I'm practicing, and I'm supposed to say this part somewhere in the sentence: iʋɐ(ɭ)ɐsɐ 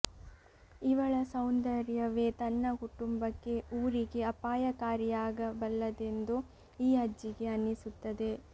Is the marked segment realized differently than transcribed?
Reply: no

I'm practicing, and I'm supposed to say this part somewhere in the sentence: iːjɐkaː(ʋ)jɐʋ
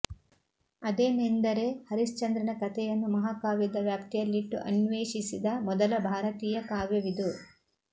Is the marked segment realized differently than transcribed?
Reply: no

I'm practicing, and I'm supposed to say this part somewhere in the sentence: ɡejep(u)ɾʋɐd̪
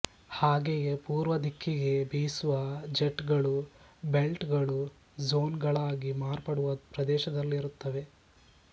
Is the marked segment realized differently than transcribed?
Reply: yes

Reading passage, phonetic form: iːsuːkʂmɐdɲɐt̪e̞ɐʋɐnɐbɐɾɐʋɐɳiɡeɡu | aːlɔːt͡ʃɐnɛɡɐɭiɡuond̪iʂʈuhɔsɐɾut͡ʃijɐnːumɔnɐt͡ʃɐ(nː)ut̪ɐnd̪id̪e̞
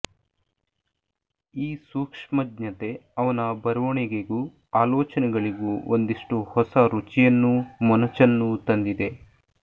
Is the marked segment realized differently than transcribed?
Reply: no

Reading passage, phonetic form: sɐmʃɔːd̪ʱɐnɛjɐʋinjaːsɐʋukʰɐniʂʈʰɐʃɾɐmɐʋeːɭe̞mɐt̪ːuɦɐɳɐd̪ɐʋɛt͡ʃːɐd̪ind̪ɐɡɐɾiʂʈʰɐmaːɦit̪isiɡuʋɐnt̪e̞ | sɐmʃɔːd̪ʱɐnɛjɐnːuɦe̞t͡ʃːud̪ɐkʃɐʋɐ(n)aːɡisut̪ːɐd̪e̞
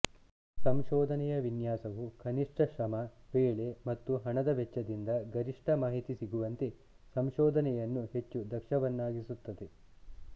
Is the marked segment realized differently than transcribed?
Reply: yes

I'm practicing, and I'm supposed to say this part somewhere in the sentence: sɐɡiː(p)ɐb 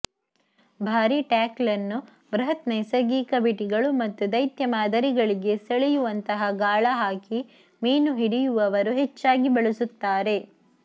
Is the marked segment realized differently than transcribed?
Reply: yes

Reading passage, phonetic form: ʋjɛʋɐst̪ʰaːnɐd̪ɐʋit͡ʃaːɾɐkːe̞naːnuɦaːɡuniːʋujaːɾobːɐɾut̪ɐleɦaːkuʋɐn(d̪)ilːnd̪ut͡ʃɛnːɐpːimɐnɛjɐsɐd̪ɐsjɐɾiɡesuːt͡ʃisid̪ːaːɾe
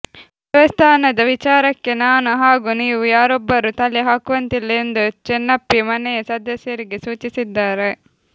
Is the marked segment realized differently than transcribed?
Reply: yes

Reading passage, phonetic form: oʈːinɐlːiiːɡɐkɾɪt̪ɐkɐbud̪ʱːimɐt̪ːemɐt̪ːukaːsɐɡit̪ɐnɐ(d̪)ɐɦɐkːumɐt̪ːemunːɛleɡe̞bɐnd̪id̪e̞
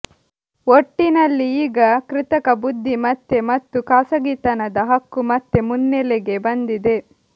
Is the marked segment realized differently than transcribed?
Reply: no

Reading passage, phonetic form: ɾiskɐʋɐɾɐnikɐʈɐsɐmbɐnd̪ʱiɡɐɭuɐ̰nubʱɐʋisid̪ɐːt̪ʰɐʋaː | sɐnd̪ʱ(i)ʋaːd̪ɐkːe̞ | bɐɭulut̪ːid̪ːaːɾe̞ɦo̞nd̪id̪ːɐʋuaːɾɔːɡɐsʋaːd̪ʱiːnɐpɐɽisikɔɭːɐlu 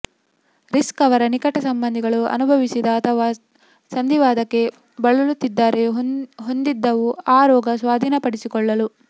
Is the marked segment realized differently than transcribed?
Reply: no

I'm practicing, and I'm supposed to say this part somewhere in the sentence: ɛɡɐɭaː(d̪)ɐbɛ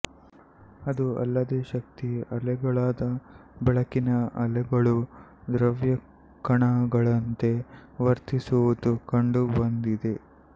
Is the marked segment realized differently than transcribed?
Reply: no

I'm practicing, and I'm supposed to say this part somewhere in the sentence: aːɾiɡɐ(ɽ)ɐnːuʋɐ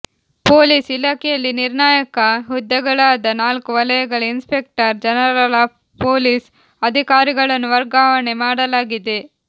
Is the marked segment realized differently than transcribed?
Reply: yes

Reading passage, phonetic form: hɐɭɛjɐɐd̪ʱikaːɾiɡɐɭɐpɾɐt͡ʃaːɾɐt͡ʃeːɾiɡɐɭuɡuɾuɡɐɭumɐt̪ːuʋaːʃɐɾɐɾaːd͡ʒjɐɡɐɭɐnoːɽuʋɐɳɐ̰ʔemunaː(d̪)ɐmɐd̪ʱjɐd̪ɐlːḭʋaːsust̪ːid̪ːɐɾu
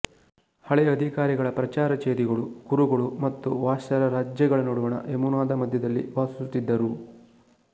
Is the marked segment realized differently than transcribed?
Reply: no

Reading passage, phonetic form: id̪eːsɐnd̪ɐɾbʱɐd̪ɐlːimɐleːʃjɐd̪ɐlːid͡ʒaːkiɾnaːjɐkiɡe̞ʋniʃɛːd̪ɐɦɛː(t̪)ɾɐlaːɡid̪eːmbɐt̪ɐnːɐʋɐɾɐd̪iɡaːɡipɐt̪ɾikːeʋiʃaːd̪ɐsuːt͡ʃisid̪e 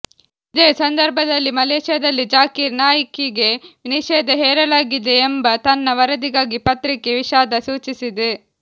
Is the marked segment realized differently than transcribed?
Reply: yes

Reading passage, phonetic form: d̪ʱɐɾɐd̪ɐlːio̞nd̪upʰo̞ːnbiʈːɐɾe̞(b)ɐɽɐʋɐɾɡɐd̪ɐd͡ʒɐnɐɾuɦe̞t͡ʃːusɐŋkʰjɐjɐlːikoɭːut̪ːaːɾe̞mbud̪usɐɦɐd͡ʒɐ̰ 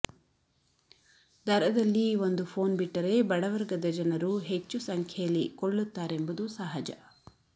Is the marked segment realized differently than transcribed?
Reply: no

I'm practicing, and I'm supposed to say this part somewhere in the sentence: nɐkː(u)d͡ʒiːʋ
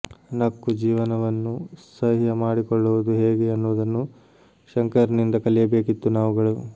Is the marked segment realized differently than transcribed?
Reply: no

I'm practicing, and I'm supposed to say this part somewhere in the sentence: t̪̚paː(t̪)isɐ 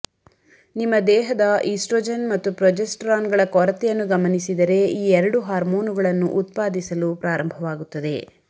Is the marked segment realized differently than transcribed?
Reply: yes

